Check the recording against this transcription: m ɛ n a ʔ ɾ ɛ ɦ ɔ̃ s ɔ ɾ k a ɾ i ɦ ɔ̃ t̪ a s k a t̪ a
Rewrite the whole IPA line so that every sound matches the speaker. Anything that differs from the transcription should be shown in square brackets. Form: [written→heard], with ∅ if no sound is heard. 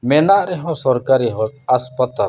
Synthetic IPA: m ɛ n a ʔ ɾ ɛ ɦ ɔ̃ s ɔ ɾ k a ɾ i ɦ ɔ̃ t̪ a s [k→p] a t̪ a